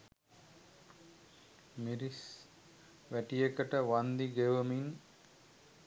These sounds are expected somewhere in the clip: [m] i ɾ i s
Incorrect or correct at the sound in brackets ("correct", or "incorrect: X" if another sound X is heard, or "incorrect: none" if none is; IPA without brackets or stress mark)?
correct